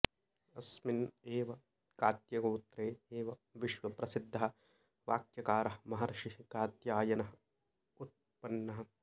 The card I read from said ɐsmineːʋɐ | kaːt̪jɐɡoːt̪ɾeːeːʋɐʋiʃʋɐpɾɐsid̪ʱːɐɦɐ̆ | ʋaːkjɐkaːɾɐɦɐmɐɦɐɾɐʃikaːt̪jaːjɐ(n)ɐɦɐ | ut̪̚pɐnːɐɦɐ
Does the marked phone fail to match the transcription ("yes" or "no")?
no